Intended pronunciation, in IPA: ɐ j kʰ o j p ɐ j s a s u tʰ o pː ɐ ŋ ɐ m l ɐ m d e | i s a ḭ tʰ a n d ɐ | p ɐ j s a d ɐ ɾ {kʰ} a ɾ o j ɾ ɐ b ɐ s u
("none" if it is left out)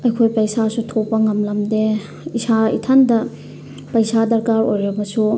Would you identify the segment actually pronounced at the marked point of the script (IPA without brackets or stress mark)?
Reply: k